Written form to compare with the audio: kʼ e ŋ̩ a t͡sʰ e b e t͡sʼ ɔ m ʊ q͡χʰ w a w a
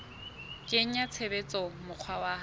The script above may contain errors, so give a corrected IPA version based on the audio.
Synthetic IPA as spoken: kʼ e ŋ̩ a t͡sʰ e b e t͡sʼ ɔ m ʊ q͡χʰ w a w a